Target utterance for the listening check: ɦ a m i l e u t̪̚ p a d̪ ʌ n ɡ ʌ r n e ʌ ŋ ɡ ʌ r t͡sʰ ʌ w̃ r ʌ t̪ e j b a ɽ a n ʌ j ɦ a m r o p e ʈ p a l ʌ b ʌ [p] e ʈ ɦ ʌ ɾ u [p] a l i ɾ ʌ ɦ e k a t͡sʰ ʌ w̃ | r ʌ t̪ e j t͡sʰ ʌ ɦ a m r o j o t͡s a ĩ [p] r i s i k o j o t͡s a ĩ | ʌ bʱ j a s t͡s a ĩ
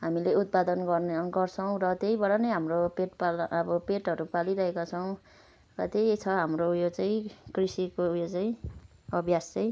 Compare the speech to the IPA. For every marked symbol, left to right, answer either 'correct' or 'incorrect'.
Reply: correct, correct, incorrect: k

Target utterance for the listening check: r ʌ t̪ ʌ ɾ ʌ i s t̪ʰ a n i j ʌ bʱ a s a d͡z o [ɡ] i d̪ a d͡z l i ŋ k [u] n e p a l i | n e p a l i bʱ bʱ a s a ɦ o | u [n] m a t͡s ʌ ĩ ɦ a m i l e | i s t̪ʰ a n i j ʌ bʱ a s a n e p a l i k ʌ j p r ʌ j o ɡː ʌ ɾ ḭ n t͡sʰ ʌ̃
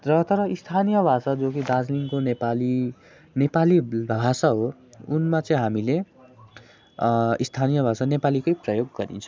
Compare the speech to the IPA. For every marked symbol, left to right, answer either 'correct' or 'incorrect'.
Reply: incorrect: k, incorrect: o, correct

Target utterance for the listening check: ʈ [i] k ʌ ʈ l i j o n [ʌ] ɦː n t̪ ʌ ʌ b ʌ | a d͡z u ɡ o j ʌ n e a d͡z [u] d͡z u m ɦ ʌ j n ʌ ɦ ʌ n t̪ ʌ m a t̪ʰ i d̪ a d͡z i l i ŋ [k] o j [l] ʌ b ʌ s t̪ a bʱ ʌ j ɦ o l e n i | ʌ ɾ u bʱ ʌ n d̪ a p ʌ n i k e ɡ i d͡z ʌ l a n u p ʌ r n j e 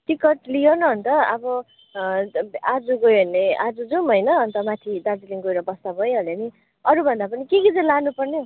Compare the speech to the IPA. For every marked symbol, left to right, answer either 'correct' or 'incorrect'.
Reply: correct, correct, correct, incorrect: ɡ, incorrect: ɾ

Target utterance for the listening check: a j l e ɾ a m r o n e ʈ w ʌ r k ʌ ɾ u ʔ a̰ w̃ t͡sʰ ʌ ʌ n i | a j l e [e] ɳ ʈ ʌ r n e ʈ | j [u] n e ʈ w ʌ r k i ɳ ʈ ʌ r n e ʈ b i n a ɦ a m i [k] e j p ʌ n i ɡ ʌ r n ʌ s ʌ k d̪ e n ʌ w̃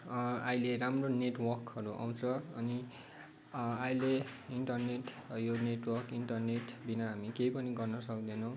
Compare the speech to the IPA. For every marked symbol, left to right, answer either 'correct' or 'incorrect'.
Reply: incorrect: i, incorrect: o, correct

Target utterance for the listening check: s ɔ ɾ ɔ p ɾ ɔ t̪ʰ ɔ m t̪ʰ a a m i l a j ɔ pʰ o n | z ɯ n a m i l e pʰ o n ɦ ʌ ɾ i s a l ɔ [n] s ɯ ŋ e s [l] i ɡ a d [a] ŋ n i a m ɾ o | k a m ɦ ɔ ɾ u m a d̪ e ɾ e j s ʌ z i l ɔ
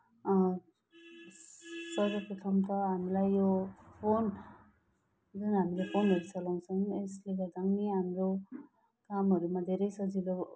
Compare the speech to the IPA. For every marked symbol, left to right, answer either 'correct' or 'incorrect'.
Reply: incorrect: ŋ, correct, correct

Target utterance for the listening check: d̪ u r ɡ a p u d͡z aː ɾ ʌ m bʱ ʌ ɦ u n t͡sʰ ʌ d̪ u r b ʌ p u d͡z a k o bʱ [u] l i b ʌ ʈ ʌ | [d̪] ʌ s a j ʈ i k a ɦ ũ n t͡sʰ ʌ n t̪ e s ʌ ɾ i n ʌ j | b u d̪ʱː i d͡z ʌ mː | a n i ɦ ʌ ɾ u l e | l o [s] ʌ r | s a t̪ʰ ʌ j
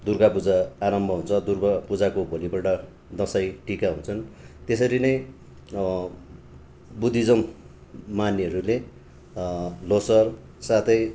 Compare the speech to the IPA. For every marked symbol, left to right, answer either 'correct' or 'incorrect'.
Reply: incorrect: o, correct, correct

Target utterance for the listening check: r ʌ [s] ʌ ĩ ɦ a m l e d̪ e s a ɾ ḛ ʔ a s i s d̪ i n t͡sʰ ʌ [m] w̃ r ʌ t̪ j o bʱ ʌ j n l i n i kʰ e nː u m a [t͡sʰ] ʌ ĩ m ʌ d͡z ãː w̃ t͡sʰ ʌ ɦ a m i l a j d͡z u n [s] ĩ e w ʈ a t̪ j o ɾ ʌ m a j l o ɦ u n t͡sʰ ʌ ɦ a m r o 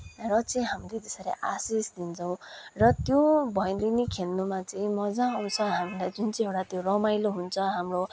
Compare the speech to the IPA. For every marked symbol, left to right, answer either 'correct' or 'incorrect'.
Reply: incorrect: t͡s, incorrect: none, incorrect: t͡s, incorrect: t͡s

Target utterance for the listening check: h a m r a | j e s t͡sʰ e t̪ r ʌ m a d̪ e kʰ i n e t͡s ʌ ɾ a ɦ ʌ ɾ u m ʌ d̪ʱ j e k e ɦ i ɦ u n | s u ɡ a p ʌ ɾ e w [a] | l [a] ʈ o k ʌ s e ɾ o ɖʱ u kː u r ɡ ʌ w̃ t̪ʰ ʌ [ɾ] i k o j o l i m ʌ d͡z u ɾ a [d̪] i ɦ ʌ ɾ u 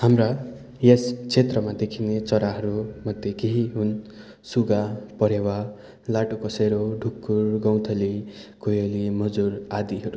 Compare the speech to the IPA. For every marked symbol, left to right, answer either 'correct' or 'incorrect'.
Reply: correct, correct, incorrect: l, correct

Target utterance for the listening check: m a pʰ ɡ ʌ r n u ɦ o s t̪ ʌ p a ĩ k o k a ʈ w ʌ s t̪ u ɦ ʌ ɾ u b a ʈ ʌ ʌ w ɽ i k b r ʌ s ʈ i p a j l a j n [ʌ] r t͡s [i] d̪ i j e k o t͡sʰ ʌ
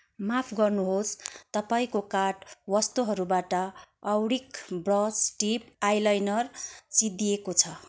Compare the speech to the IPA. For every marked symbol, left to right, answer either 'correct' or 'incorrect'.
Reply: correct, correct

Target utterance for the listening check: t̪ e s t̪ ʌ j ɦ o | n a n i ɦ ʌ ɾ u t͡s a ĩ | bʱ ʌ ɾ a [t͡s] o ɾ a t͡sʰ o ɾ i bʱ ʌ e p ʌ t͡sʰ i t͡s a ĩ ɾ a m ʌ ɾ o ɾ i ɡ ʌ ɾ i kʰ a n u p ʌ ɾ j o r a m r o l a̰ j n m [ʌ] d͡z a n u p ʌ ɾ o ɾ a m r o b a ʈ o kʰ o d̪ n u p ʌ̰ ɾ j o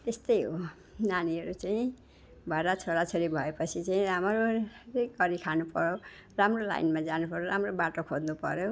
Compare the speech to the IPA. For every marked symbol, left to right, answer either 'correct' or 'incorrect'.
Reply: incorrect: t͡sʰ, incorrect: a

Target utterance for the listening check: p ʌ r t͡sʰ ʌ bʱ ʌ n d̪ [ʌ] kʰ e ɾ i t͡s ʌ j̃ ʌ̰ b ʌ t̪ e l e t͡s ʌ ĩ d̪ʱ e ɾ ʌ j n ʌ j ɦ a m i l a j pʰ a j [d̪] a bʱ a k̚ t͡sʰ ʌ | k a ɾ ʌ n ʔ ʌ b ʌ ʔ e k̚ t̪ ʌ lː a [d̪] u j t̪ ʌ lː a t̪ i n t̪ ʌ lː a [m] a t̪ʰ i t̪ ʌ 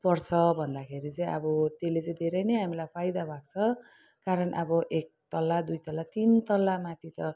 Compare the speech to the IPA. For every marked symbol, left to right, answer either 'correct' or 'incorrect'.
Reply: incorrect: a, correct, correct, correct

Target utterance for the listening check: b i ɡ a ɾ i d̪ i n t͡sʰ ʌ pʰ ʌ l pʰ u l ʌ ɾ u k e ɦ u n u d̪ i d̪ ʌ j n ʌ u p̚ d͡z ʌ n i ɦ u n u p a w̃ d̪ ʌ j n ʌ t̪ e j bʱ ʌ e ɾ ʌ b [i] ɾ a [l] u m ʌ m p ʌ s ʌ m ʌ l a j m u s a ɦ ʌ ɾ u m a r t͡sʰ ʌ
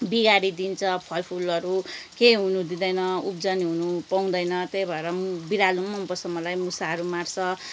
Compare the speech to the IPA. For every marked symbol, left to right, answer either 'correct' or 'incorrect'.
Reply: correct, correct

